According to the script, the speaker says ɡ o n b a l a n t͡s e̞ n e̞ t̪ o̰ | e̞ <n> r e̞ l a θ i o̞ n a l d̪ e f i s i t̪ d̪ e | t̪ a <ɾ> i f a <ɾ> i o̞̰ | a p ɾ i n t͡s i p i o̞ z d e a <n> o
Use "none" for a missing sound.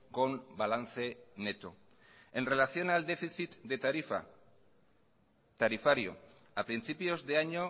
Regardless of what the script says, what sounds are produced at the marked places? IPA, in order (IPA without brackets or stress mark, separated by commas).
n, ɾ, ɾ, ɲ